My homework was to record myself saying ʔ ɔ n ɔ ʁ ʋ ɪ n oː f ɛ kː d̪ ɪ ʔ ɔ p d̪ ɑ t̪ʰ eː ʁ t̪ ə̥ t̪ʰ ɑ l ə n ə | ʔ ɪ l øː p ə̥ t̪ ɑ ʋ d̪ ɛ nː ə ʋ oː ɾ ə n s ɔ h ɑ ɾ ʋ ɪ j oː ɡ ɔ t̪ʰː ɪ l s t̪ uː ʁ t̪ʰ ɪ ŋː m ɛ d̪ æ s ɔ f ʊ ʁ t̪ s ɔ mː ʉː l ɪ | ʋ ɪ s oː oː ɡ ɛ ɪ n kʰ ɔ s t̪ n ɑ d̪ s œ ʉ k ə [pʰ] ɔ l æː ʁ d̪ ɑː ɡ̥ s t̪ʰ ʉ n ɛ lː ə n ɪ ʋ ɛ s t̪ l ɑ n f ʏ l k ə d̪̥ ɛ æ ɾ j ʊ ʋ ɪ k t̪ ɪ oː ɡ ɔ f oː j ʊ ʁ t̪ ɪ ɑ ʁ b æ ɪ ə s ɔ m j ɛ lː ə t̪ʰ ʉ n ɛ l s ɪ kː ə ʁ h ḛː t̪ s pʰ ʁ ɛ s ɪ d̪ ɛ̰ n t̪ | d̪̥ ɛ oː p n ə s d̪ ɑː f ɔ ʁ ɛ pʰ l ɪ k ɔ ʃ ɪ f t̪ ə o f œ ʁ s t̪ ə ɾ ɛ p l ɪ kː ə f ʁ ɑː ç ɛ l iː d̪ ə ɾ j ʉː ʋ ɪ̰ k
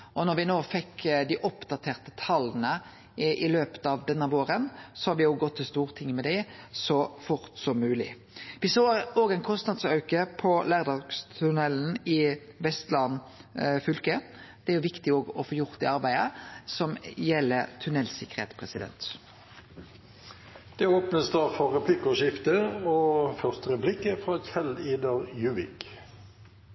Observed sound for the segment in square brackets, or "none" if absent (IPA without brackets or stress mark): pʰ